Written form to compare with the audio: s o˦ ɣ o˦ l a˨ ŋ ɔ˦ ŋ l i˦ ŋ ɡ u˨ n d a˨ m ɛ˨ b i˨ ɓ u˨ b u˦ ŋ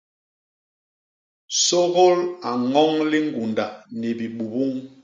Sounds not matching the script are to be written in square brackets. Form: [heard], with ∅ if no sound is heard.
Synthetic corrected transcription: s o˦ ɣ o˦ l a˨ ŋ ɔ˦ ŋ l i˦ ŋ ɡ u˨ n d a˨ [n] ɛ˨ b i˨ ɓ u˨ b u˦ ŋ